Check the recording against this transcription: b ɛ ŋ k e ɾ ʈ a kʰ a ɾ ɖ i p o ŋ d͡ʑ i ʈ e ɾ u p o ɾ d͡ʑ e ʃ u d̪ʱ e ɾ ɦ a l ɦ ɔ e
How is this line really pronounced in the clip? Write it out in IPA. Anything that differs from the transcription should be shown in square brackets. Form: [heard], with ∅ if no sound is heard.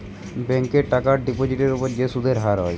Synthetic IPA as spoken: b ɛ ŋ k e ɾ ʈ a [k] a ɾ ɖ i p o [∅] d͡ʑ i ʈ e ɾ u p o ɾ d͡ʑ e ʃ u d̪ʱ e ɾ ɦ a [ɾ] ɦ ɔ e